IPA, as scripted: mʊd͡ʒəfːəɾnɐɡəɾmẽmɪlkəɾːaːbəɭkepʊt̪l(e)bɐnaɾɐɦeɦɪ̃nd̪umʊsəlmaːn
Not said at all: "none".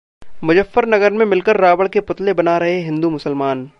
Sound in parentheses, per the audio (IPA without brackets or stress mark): e